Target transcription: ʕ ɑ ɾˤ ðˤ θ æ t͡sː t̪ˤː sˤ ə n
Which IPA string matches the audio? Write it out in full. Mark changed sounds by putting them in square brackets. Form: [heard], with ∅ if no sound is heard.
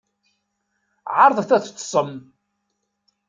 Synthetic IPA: ʕ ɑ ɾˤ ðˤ θ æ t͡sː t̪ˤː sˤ ə [m]